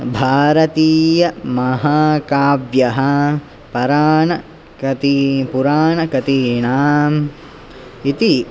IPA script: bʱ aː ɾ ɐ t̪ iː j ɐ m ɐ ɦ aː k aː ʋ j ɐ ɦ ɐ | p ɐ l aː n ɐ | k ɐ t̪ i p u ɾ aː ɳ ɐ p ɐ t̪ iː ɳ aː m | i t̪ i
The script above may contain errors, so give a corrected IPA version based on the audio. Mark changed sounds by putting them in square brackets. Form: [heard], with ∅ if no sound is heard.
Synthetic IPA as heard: bʱ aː ɾ ɐ t̪ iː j ɐ m ɐ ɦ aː k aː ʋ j ɐ ɦ ɐ | p ɐ [ɾ] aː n ɐ | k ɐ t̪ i p u ɾ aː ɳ ɐ [k] ɐ t̪ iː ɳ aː m | i t̪ i

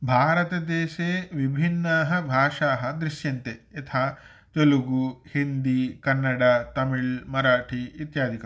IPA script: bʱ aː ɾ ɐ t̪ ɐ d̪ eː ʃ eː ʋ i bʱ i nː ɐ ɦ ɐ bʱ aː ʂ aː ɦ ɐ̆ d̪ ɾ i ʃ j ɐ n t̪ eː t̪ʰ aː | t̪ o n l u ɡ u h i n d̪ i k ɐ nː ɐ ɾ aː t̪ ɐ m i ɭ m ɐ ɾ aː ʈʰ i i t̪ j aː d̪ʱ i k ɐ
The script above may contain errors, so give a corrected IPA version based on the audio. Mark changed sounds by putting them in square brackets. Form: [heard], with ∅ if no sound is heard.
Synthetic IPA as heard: bʱ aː ɾ ɐ t̪ ɐ d̪ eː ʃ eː ʋ i bʱ i nː ɐ ɦ ɐ bʱ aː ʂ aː ɦ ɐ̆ d̪ ɾ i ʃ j ɐ n t̪ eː t̪ʰ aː | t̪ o [∅] l u ɡ u h i n d̪ i k ɐ nː ɐ [ɽ] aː t̪ ɐ m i ɭ m ɐ ɾ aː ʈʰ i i t̪ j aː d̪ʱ i k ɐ

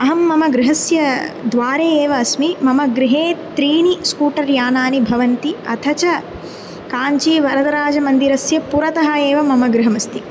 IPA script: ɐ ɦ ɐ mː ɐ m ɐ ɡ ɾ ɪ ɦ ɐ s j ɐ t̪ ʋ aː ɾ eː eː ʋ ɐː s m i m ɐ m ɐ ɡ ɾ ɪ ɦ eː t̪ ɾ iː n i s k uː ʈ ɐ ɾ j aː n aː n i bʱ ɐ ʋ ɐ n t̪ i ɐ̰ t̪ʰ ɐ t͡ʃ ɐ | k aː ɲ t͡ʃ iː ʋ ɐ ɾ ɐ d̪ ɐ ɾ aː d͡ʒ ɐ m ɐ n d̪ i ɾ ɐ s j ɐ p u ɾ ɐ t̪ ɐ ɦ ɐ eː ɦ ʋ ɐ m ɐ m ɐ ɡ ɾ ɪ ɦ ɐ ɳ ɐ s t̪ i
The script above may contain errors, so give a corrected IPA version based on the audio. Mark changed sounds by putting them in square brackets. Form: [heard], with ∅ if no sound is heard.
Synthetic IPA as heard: ɐ ɦ ɐ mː ɐ m ɐ ɡ ɾ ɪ ɦ ɐ s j ɐ [d̪] ʋ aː ɾ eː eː ʋ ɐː s m i m ɐ m ɐ ɡ ɾ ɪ ɦ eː t̪ ɾ iː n i s k uː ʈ ɐ ɾ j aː n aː n i bʱ ɐ ʋ ɐ n t̪ i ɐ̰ t̪ʰ ɐ t͡ʃ ɐ | k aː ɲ t͡ʃ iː ʋ ɐ ɾ ɐ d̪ ɐ ɾ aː d͡ʒ ɐ m ɐ n d̪ i ɾ ɐ s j ɐ p u ɾ ɐ t̪ ɐ ɦ ɐ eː [∅] ʋ ɐ m ɐ m ɐ ɡ ɾ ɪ ɦ ɐ [m] ɐ s t̪ i

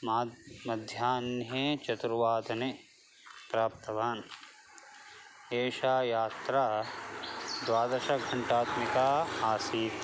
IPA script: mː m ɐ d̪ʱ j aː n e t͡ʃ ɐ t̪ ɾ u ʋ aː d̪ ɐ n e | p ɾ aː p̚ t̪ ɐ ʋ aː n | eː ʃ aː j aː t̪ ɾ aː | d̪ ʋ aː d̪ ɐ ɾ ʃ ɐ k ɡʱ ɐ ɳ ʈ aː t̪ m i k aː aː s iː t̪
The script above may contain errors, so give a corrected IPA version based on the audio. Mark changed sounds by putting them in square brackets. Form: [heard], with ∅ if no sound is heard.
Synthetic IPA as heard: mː m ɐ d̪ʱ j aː n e t͡ʃ ɐ t̪ ɾ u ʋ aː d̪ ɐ n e | p ɾ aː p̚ t̪ ɐ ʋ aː n | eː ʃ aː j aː t̪ ɾ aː | d̪ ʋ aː d̪ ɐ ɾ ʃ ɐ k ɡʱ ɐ ɳ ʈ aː t̪ m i k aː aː s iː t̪

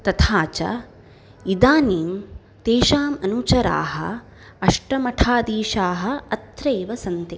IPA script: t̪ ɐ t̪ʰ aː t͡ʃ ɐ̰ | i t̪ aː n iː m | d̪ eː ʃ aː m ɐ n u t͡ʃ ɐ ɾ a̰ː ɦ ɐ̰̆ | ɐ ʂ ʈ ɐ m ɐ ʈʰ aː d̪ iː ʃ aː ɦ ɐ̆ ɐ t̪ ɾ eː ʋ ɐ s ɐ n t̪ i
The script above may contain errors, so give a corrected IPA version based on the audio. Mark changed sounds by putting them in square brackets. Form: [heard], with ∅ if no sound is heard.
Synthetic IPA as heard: t̪ ɐ t̪ʰ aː t͡ʃ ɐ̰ | i [d̪] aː n iː m | [t̪] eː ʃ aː m ɐ n u t͡ʃ ɐ ɾ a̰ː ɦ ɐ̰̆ | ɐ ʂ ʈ ɐ m ɐ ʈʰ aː d̪ iː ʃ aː ɦ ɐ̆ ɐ t̪ ɾ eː ʋ ɐ s ɐ n t̪ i

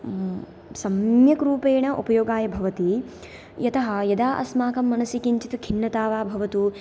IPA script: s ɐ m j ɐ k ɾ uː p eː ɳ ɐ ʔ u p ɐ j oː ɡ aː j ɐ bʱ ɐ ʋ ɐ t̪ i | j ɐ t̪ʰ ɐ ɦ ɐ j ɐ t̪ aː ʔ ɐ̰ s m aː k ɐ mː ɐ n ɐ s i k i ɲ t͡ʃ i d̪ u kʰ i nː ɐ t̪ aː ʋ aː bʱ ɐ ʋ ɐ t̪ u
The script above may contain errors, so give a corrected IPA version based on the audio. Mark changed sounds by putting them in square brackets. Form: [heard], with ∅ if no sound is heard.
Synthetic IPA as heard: s ɐ m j ɐ k ɾ uː p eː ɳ ɐ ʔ u p ɐ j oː ɡ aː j ɐ bʱ ɐ ʋ ɐ t̪ i | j ɐ [t̪] ɐ ɦ ɐ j ɐ [d̪] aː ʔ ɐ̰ s m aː k ɐ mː ɐ n ɐ s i k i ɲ t͡ʃ i [t̪] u kʰ i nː ɐ t̪ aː ʋ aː bʱ ɐ ʋ ɐ t̪ u

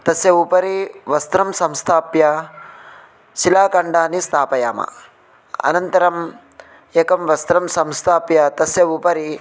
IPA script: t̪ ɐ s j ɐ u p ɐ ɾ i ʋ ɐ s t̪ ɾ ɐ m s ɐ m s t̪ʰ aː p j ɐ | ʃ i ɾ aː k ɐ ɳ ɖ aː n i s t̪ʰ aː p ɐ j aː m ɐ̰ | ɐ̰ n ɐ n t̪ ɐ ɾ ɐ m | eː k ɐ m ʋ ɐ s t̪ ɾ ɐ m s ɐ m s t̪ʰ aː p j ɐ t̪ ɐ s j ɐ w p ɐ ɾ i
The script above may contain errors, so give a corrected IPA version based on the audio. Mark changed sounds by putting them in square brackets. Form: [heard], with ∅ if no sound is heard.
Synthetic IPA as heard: t̪ ɐ s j ɐ u p ɐ ɾ i ʋ ɐ s t̪ ɾ ɐ m s ɐ m s t̪ʰ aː p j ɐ | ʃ i [l] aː k ɐ ɳ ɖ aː n i s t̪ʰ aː p ɐ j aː m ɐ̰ | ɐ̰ n ɐ n t̪ ɐ ɾ ɐ m | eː k ɐ m ʋ ɐ s t̪ ɾ ɐ m s ɐ m s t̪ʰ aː p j ɐ t̪ ɐ s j ɐ [u] p ɐ ɾ i

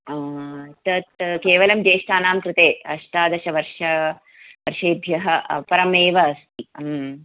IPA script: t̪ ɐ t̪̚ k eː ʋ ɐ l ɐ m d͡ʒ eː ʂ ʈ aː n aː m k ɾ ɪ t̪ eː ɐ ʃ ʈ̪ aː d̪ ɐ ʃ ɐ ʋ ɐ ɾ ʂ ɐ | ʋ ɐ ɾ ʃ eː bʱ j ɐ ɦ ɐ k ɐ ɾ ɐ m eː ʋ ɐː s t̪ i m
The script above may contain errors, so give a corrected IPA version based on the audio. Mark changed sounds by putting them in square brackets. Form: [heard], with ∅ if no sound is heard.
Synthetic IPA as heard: t̪ ɐ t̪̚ k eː ʋ ɐ l ɐ m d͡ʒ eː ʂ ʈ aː n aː m k ɾ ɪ t̪ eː ɐ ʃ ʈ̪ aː d̪ ɐ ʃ ɐ ʋ ɐ ɾ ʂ ɐ | ʋ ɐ ɾ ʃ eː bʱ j ɐ ɦ ɐ [p] ɐ ɾ ɐ m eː ʋ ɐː s t̪ i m

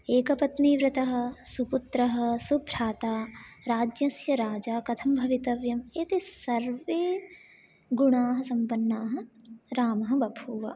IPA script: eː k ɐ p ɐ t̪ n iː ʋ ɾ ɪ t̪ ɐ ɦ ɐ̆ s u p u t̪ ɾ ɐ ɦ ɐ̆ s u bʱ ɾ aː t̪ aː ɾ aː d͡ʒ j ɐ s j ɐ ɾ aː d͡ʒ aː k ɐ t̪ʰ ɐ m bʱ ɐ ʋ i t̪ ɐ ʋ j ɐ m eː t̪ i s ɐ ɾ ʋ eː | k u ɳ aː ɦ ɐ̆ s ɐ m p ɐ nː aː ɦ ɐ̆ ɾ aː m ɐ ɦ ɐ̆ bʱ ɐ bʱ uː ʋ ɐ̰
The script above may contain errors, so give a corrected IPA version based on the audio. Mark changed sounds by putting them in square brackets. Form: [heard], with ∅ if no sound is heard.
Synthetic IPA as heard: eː k ɐ p ɐ t̪ n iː ʋ ɾ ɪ t̪ ɐ ɦ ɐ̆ s u p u t̪ ɾ ɐ ɦ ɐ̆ s u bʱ ɾ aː t̪ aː ɾ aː d͡ʒ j ɐ s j ɐ ɾ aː d͡ʒ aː k ɐ t̪ʰ ɐ m bʱ ɐ ʋ i t̪ ɐ ʋ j ɐ m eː t̪ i s ɐ ɾ ʋ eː | [ɡ] u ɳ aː ɦ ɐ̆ s ɐ m p ɐ nː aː ɦ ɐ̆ ɾ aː m ɐ ɦ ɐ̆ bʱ ɐ bʱ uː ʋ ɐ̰

